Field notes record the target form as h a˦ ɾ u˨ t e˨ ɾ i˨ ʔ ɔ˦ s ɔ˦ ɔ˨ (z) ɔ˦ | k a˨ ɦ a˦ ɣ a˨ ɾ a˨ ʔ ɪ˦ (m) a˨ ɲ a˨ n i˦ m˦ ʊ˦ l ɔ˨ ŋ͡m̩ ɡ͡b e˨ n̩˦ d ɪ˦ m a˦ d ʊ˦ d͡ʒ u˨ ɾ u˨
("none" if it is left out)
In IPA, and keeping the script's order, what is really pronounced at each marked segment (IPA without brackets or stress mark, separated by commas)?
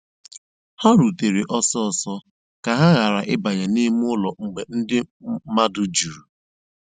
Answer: s, b